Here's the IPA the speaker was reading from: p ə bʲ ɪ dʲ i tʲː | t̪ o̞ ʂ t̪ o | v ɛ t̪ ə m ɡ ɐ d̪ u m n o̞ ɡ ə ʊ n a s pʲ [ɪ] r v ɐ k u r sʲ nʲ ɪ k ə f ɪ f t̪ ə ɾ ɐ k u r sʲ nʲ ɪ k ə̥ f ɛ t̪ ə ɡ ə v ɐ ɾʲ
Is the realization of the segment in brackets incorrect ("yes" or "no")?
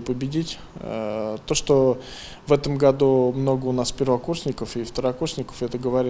no